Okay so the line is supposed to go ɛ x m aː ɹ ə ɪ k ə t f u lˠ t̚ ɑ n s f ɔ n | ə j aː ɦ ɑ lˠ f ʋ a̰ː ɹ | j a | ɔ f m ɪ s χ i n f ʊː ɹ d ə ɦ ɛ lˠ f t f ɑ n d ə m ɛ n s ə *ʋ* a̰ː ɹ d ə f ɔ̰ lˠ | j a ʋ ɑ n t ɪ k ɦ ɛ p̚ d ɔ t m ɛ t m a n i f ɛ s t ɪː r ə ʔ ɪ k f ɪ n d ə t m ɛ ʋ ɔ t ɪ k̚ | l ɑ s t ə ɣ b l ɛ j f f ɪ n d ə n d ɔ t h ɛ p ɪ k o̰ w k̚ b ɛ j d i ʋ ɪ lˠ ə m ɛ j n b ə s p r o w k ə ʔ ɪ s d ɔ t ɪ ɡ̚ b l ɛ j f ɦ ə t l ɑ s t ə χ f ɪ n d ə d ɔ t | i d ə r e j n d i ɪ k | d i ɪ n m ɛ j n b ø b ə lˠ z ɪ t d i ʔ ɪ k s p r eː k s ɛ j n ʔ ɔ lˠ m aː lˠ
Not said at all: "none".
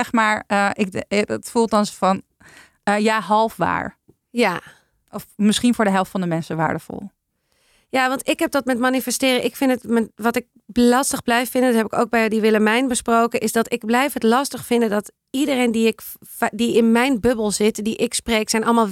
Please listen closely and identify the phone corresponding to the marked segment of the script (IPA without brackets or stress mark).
ʋ